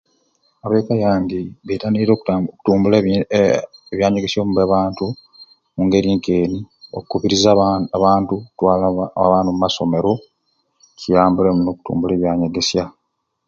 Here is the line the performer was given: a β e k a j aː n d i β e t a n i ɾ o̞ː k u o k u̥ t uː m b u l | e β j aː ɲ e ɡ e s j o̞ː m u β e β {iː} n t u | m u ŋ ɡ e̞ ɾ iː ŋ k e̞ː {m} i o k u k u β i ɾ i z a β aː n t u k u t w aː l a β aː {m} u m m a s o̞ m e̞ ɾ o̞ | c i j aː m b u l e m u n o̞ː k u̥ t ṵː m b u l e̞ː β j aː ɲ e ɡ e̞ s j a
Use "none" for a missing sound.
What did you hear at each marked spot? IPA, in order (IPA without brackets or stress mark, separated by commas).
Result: aː, n, n